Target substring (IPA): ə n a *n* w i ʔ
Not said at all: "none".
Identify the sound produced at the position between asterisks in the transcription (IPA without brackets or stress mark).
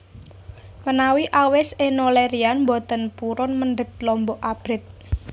none